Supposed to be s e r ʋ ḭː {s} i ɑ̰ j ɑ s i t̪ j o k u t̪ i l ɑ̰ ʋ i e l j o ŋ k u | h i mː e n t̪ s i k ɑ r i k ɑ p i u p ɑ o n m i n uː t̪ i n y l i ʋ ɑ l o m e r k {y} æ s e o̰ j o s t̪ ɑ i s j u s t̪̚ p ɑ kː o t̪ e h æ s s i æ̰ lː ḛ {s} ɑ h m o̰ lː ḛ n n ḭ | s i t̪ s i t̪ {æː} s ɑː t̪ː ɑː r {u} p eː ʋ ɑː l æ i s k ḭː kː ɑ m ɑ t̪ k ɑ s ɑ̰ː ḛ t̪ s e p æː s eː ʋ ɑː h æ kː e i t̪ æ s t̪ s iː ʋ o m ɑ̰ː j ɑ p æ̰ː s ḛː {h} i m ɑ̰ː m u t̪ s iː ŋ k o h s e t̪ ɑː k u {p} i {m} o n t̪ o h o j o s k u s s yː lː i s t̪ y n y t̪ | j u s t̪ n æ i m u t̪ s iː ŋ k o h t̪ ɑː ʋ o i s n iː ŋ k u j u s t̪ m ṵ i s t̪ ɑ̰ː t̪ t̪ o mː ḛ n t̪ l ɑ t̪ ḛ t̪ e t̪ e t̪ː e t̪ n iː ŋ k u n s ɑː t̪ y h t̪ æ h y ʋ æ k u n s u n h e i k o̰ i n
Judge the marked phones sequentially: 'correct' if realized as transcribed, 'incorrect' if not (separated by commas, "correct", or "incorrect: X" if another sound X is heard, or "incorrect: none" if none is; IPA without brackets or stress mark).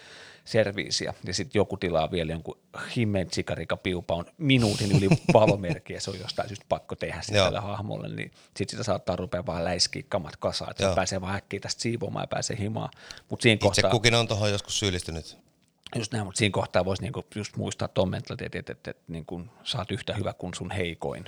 correct, incorrect: i, incorrect: h, incorrect: æ, correct, correct, incorrect: k, incorrect: n